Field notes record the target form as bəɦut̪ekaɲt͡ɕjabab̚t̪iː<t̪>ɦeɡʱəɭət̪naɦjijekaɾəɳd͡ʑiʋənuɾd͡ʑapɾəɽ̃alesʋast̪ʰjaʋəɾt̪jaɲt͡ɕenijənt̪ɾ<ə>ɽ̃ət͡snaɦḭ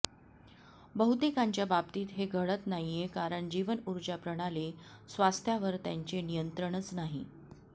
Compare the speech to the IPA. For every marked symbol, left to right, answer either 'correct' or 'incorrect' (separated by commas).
correct, correct